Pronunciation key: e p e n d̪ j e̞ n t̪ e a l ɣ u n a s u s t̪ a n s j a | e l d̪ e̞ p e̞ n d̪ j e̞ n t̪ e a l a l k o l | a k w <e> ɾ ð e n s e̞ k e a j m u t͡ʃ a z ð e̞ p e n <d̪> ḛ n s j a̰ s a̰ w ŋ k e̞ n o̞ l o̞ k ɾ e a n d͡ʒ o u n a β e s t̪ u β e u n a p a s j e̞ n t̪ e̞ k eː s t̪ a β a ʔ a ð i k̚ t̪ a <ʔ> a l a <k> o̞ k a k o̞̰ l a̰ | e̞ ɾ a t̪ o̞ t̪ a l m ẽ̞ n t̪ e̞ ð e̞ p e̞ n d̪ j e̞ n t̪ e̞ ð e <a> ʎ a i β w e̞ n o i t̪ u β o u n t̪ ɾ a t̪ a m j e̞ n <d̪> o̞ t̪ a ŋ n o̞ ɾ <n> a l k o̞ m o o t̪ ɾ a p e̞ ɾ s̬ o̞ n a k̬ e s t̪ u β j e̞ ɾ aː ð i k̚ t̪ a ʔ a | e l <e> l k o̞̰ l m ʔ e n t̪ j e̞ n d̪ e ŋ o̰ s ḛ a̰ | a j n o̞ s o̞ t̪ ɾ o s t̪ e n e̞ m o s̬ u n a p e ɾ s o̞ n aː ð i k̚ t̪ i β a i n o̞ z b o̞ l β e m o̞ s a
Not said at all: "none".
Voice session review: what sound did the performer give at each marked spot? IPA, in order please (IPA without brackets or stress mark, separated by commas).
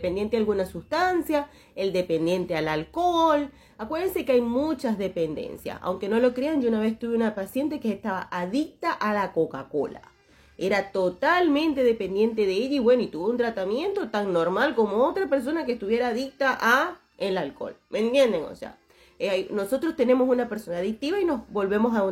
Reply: e, d̪, ʔ, k, e, t̪, m, a